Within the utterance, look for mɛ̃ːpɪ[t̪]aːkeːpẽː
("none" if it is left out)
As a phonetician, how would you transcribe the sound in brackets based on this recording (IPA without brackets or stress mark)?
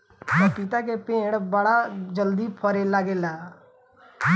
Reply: t̪